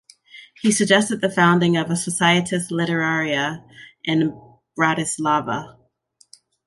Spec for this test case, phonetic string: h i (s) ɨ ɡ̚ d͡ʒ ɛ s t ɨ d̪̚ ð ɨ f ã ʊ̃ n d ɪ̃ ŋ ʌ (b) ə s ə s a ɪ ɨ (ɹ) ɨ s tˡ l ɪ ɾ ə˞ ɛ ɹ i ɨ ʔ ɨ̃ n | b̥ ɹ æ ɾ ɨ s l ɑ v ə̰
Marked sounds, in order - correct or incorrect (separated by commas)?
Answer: correct, incorrect, incorrect